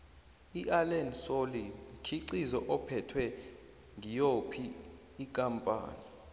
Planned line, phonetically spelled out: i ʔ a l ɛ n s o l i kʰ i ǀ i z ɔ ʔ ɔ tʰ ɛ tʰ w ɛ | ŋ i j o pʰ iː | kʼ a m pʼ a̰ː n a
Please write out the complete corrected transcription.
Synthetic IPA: i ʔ a l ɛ n s o l i kʰ i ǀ i z ɔ ʔ ɔ pʰ ɛ tʰ w ɛ | ŋ i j o pʰ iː | kʼ a m pʼ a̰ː n i